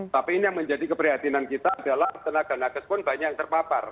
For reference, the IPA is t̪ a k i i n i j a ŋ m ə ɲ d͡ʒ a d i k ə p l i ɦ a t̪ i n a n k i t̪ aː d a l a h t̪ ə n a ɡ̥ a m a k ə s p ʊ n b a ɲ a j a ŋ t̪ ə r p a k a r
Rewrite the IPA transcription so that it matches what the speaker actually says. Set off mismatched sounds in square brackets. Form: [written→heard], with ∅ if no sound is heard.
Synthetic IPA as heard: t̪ a [k→p] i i n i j a ŋ m ə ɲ d͡ʒ a d i k ə p [l→ɾ] i ɦ a t̪ i n a n k i t̪ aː d a l a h t̪ ə n a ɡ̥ a [m→n] a k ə s p ʊ n b a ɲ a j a ŋ t̪ ə r p a [k→p] a r